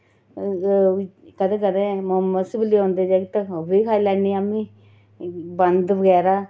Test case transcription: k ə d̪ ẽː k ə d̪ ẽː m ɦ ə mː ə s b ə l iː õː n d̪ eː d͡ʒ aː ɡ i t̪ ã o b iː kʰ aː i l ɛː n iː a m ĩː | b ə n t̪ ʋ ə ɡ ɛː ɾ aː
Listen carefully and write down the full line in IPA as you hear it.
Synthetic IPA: k ə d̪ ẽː k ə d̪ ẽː m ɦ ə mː ə s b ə l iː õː n d̪ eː d͡ʒ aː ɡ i t̪ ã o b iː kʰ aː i l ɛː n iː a m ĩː | b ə n d̪ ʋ ə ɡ ɛː ɾ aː